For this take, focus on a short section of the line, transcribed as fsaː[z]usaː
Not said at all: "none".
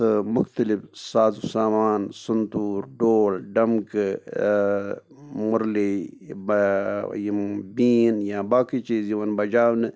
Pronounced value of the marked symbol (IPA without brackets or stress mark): z